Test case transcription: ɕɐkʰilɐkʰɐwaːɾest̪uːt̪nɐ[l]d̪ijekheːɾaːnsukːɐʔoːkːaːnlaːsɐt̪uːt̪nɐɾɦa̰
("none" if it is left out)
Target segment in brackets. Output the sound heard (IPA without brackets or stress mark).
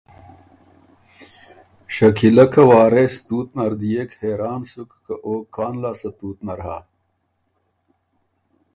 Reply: ɾ